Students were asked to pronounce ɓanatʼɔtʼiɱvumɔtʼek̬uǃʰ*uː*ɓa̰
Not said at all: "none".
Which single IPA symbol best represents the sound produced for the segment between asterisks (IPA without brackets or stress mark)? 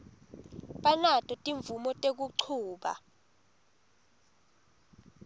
uː